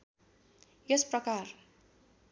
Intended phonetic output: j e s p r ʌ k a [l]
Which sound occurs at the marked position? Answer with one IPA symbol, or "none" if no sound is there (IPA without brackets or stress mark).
r